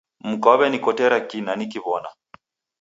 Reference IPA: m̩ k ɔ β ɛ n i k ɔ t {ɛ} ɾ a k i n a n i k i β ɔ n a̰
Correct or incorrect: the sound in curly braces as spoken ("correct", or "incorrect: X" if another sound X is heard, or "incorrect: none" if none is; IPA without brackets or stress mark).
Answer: correct